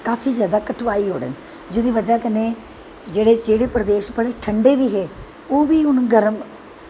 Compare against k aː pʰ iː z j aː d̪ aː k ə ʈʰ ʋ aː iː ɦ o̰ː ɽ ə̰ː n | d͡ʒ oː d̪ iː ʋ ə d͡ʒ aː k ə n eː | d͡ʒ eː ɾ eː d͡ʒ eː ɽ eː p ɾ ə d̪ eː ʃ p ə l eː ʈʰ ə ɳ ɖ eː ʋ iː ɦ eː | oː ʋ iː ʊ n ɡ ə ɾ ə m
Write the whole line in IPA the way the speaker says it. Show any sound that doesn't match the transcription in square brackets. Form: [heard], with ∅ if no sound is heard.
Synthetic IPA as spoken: k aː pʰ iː z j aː d̪ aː k ə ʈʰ ʋ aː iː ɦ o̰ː ɽ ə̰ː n | d͡ʒ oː d̪ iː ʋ ə d͡ʒ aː k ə n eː | d͡ʒ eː [ɽ] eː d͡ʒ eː ɽ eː p ɾ ə d̪ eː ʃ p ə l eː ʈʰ ə ɳ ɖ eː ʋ iː ɦ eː | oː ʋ iː ʊ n ɡ ə ɾ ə m